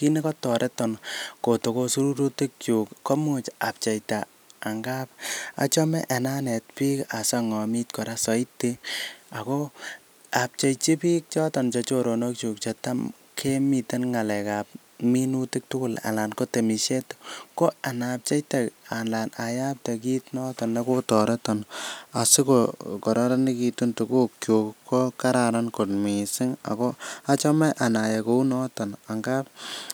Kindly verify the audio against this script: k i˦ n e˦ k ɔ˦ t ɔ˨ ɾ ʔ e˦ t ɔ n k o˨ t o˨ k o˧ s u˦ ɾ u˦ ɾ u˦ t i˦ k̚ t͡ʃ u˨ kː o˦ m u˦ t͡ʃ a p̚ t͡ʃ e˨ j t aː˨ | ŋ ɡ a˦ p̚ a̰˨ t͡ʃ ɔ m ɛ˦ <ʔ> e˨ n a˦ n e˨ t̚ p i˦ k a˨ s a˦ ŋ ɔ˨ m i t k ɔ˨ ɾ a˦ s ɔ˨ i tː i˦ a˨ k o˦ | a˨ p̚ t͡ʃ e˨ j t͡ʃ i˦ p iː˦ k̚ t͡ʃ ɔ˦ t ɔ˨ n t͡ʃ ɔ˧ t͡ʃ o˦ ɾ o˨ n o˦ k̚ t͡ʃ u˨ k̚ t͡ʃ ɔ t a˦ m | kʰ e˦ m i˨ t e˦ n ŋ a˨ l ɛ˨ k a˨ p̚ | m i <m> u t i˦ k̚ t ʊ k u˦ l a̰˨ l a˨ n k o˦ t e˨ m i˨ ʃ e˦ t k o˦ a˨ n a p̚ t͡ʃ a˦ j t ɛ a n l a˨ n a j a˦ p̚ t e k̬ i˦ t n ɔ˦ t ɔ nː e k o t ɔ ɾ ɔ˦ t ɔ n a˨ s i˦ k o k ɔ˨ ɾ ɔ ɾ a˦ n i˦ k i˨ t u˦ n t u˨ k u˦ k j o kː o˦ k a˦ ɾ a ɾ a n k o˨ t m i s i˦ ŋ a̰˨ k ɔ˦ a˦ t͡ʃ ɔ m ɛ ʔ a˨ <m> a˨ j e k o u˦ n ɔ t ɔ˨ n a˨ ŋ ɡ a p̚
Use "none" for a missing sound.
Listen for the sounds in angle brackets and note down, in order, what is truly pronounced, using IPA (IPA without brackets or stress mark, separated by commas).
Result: ʔ, n, n